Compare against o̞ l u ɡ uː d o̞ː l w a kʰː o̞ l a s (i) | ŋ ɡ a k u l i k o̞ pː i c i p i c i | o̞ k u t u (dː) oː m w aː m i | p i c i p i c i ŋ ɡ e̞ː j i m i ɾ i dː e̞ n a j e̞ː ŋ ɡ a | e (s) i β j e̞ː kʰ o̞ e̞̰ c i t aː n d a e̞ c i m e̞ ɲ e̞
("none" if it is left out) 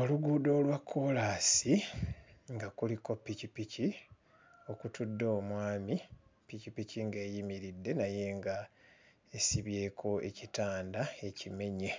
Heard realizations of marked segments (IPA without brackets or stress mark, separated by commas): i, dː, s